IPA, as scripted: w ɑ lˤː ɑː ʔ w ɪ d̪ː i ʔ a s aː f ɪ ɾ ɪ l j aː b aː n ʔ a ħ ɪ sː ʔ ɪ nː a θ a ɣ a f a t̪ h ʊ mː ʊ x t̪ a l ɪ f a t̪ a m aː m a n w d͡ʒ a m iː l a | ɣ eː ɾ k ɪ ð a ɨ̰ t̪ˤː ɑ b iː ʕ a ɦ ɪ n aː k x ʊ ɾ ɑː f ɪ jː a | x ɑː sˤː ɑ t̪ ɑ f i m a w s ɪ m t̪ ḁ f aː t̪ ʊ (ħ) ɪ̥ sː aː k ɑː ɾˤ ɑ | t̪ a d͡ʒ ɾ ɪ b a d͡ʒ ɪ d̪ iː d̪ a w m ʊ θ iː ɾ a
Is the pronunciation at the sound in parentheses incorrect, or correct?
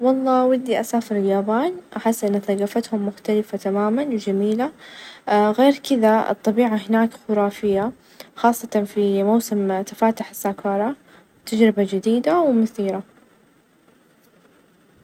correct